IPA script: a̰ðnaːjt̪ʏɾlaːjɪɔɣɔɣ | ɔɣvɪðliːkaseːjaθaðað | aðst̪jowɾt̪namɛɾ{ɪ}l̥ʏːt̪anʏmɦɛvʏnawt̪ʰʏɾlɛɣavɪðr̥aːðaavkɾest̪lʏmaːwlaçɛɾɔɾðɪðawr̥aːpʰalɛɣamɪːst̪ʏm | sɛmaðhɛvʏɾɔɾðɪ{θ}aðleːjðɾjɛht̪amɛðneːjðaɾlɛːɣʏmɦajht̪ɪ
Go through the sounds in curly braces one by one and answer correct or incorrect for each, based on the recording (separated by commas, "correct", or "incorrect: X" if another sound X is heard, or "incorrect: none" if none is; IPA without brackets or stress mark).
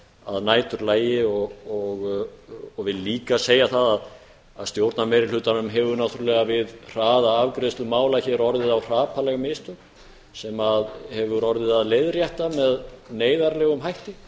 correct, incorrect: ð